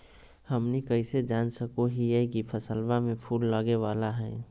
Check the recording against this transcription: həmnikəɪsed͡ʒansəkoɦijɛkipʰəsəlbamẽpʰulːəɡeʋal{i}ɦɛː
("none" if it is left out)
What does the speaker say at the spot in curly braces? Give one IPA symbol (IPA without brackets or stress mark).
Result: a